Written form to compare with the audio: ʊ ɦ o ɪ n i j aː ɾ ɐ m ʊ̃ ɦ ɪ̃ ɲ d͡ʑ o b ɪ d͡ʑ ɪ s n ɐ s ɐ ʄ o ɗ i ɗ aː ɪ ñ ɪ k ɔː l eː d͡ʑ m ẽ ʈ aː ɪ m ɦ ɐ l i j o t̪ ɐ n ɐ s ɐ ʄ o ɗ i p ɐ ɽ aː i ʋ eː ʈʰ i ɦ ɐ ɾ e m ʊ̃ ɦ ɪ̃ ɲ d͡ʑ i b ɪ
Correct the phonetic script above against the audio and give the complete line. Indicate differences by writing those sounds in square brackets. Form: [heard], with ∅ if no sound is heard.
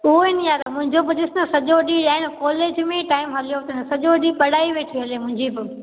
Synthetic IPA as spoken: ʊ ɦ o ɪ n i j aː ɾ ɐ m ʊ̃ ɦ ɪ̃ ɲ d͡ʑ o b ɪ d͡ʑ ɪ s n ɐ s ɐ ʄ o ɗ i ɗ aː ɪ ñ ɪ k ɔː l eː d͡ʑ m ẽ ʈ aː ɪ m ɦ ɐ l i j o t̪ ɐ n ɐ s ɐ ʄ o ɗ i p ɐ ɽ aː i ʋ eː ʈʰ i ɦ ɐ [l] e m ʊ̃ ɦ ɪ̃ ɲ d͡ʑ i b ɪ